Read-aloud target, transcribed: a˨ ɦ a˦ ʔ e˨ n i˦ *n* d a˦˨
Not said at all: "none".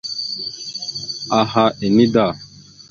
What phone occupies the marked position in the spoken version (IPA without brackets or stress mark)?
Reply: none